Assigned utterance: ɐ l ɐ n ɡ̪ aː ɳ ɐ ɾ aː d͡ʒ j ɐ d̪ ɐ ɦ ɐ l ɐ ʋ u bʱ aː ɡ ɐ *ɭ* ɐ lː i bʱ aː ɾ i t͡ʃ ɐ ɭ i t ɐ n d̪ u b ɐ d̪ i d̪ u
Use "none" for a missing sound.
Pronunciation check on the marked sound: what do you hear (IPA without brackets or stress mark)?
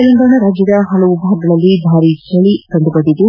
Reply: ɭ